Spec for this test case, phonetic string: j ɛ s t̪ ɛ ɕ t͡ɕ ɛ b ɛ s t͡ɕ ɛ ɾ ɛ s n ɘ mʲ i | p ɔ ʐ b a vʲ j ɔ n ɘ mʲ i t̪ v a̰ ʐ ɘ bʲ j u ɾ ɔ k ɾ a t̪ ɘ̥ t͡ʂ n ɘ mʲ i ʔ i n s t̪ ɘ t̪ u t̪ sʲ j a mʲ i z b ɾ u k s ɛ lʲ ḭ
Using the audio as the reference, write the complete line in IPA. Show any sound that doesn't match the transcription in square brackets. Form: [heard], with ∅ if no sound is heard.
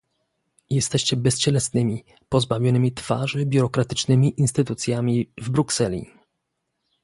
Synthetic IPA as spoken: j ɛ s t̪ ɛ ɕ t͡ɕ ɛ b ɛ s t͡ɕ ɛ [l] ɛ s n ɘ mʲ i | p ɔ [z] b a vʲ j ɔ n ɘ mʲ i t̪ [f] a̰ ʐ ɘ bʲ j u ɾ ɔ k ɾ a t̪ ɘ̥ t͡ʂ n ɘ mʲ i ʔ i n s t̪ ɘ t̪ u t̪ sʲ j a mʲ i [v] b ɾ u k s ɛ lʲ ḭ